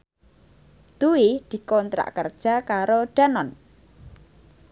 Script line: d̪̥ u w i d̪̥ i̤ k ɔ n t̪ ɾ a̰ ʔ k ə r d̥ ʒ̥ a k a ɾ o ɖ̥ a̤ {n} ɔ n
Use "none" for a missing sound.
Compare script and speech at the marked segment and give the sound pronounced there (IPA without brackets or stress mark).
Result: n